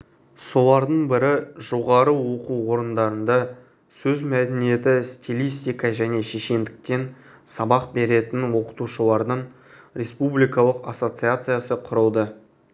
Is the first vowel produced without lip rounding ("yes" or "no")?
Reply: no